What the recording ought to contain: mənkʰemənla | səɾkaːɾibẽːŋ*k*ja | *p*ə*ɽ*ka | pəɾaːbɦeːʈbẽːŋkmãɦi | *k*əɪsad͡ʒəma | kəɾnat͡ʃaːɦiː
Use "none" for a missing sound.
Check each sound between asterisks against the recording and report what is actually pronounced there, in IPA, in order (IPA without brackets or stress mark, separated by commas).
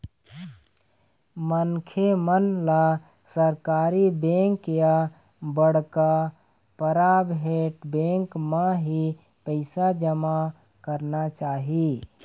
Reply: k, b, ɽ, p